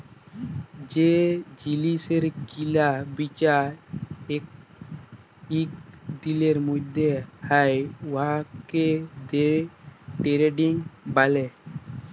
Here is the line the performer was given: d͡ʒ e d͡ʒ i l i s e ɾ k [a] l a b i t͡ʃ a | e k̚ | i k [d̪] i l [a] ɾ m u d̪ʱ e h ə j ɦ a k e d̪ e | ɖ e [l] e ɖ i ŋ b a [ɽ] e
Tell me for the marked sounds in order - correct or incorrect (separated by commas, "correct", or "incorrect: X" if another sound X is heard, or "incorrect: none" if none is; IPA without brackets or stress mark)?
incorrect: i, correct, incorrect: e, incorrect: ɾ, incorrect: l